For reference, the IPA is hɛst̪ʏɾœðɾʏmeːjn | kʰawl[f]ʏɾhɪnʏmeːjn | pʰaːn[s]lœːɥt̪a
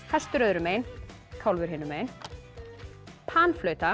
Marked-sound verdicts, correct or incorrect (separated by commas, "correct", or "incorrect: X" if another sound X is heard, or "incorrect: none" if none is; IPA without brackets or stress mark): incorrect: v, incorrect: f